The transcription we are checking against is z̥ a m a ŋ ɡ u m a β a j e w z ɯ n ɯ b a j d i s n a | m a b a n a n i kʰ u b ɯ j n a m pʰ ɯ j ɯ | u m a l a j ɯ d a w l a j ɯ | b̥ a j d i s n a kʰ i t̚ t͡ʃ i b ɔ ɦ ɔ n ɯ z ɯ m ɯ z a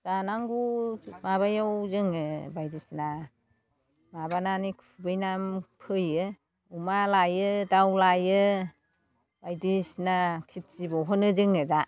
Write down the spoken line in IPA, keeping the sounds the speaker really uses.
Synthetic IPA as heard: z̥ a n a ŋ ɡ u m a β a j a w z ɯ ŋ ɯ b a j d i s n a | m a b a n a n i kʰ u b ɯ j n a m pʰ ɯ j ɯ | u m a l a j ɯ d a w l a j ɯ | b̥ a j d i s n a kʰ i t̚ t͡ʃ i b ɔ ɦ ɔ n ɯ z ɯ ŋ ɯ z a